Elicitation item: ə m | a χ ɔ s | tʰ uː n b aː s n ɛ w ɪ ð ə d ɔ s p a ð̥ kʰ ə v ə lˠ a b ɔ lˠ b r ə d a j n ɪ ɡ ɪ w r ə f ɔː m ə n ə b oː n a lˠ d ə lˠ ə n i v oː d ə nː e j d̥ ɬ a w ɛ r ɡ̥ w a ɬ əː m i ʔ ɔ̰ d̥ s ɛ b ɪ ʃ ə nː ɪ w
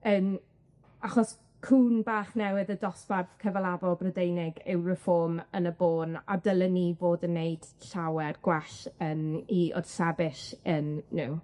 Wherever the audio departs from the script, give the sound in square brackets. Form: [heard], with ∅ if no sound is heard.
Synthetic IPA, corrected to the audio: ə m | a χ ɔ s | [kʰ] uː n b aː [χ] n ɛ w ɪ ð ə d ɔ s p a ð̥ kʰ ə v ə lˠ a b ɔ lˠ b r ə d [e] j n ɪ ɡ ɪ w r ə f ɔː m ə n ə b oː n a [∅] d ə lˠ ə n i v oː d ə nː e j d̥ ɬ a w ɛ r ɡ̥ w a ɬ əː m i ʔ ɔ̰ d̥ s ɛ b ɪ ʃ ə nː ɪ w

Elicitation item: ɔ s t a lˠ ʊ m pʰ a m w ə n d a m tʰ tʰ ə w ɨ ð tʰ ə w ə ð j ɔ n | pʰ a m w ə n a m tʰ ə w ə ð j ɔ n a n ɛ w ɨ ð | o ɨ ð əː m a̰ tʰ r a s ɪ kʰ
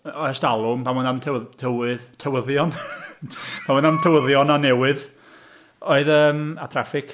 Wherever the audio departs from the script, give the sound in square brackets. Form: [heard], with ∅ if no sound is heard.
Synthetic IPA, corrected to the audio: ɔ s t a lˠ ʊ m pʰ a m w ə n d a m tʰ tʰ ə w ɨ ð tʰ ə w ə ð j ɔ n | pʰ a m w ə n a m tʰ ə w ə ð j ɔ n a n ɛ w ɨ ð | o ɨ ð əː m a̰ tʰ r a [f] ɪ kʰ

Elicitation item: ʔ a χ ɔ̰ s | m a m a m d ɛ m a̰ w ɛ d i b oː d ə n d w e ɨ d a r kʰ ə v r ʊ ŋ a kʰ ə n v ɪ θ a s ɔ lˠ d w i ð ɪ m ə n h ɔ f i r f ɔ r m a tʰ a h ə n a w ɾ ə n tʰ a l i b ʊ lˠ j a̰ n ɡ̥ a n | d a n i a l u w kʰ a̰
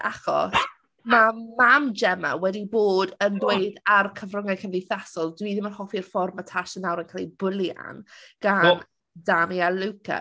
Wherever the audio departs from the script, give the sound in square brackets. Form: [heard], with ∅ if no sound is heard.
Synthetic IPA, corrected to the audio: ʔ a χ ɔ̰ s | m a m a m [d͡ʒ] ɛ m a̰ w ɛ d i b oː d ə n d w e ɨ d a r kʰ ə v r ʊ ŋ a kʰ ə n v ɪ θ a s ɔ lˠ d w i ð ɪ m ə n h ɔ f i r f ɔ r m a tʰ a [ʃ] ə n a w ɾ ə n [kʰ] a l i b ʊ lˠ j a̰ n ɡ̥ a n | d a [m] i a l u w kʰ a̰

